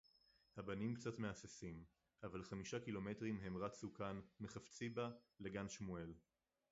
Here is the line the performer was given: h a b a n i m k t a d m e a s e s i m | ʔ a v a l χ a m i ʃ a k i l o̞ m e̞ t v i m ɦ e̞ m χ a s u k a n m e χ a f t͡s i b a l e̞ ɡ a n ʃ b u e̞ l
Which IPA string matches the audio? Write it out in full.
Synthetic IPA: h a b a n i m k t͡s a t m e a s e s i m | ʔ a v a l χ a m i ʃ a k i l o̞ m e̞ t ʁ i m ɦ e̞ m ʁ a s u k a n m e χ a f t͡s i b a l e̞ ɡ a n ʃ m u e̞ l